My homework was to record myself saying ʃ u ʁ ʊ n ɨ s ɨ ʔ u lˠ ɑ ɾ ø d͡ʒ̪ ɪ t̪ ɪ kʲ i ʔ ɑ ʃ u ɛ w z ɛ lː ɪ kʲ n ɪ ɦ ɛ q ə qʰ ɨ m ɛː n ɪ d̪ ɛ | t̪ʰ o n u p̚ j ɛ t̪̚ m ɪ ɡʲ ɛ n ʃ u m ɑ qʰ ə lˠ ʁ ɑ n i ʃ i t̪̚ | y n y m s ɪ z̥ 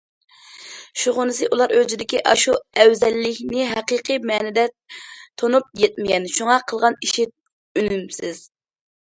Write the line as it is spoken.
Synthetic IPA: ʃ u ʁ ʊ n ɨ s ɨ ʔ u lˠ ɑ ɾ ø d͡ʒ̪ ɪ d̪ ɪ kʲ i ʔ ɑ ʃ u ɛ w z ɛ lː ɪ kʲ n ɪ ɦ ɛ q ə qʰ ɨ m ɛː n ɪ d̪ ɛ | t̪ʰ o n u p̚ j ɛ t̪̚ m ɪ ɡʲ ɛ n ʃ u ŋ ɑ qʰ ə lˠ ʁ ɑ n i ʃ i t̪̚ | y n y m s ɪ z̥